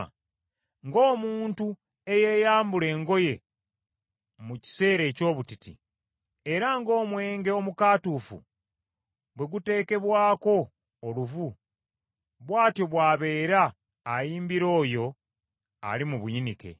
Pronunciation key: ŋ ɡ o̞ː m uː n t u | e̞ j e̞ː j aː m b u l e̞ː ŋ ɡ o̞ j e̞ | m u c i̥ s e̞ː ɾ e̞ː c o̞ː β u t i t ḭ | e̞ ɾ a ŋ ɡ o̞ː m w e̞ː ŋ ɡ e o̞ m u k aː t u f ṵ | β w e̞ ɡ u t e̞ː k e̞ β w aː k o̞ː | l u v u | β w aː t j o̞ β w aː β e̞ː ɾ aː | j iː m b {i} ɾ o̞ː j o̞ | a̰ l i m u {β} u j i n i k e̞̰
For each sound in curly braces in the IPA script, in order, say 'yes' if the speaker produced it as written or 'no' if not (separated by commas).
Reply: yes, yes